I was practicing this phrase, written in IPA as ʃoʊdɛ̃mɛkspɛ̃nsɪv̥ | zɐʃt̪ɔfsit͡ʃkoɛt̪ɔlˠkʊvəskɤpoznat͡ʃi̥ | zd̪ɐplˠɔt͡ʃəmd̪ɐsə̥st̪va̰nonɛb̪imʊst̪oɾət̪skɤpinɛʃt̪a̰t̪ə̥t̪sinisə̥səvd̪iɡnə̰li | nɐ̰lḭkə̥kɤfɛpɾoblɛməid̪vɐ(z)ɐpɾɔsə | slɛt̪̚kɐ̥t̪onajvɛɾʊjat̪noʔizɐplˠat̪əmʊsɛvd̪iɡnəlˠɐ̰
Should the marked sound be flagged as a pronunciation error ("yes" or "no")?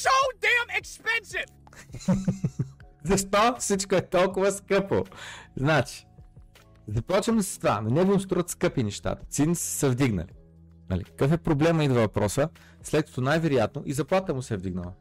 yes